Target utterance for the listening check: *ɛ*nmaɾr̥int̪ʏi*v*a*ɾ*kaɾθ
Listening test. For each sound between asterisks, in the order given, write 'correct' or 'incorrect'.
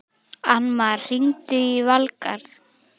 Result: incorrect, correct, incorrect

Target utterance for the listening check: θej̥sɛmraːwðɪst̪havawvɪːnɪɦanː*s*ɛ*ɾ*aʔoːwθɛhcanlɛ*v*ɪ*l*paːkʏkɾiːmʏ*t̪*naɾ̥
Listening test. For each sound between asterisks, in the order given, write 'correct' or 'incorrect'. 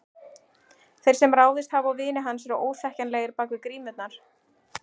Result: correct, correct, incorrect, incorrect, correct

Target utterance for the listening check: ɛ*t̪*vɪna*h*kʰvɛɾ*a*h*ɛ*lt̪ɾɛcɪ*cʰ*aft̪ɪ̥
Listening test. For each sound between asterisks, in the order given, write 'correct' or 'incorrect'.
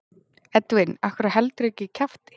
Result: correct, correct, correct, correct, correct

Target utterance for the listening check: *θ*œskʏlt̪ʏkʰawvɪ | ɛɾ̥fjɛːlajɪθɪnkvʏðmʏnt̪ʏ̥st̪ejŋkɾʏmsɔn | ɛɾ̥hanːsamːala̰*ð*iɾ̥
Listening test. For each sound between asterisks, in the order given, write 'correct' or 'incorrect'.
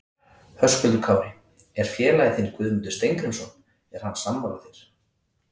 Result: incorrect, incorrect

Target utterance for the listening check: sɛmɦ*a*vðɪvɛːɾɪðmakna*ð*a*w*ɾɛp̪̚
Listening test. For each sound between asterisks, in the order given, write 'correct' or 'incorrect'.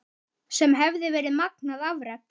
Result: incorrect, correct, incorrect

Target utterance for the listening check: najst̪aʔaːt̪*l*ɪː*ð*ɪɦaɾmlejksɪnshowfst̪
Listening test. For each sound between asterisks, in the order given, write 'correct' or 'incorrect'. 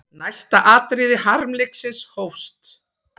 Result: incorrect, correct

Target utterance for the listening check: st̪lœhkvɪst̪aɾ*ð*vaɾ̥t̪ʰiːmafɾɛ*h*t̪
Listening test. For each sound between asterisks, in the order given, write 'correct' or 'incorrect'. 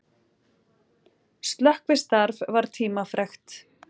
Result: incorrect, incorrect

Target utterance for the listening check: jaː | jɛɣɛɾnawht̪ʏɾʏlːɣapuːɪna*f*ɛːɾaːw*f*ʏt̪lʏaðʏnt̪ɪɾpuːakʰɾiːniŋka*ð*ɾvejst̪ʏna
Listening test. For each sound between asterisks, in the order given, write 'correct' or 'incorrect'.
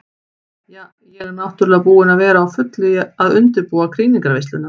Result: incorrect, correct, incorrect

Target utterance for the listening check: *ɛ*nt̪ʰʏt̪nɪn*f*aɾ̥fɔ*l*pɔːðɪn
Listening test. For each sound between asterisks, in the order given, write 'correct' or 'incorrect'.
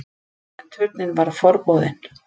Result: correct, incorrect, incorrect

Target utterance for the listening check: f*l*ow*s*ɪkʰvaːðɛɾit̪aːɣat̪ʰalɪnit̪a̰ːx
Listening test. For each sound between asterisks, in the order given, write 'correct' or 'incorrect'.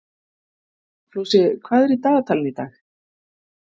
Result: correct, correct

